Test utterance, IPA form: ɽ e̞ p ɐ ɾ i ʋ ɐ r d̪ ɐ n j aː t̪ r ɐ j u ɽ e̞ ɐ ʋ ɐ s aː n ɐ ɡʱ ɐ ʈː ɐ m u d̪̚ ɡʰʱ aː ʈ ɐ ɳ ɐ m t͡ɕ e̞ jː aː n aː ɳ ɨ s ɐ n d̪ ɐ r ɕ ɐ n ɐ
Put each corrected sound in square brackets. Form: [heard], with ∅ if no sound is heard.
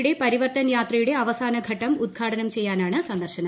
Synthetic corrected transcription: ɽ e̞ p ɐ ɾ i ʋ ɐ r [t̪] ɐ n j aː t̪ r ɐ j u ɽ e̞ ɐ ʋ ɐ s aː n ɐ ɡʱ ɐ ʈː ɐ m u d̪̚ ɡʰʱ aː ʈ ɐ [n] ɐ m t͡ɕ e̞ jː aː n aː ɳ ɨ s ɐ n d̪ ɐ r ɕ ɐ n ɐ